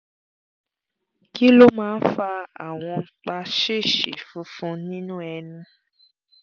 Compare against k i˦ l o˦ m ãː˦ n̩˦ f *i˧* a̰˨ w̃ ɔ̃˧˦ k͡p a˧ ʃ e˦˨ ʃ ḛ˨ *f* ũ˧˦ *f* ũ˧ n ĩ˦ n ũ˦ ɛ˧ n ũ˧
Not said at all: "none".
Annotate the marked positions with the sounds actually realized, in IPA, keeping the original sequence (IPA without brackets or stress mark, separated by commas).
a˧, f, f